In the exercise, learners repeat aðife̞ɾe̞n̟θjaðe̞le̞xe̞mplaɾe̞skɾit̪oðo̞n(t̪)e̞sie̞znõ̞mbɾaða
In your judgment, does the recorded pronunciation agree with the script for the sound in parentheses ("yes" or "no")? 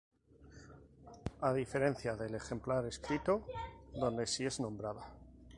no